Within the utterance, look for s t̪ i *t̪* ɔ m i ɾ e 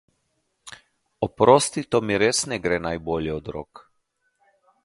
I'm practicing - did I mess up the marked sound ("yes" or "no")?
no